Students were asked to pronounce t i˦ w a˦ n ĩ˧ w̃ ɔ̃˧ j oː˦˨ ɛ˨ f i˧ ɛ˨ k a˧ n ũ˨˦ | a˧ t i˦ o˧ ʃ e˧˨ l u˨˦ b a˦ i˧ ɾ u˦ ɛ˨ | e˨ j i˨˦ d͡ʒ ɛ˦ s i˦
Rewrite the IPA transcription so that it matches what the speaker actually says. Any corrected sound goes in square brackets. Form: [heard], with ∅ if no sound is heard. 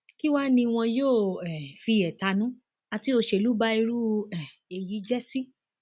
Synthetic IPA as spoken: [k] i˦ w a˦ n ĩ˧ w̃ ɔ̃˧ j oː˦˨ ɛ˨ f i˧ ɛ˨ [t] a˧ n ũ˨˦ | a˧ t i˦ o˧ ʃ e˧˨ l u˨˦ b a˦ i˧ ɾ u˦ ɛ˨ | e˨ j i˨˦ d͡ʒ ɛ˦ s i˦